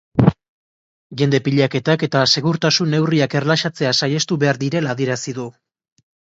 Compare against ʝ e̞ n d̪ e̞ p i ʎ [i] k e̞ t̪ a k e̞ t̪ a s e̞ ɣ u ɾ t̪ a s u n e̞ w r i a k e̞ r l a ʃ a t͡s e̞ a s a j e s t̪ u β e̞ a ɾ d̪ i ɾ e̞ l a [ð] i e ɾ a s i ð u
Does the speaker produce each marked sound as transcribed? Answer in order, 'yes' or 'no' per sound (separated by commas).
no, yes